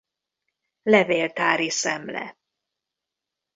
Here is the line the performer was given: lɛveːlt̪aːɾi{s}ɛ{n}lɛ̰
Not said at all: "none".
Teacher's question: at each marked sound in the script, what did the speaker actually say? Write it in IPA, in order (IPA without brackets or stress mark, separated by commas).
s, m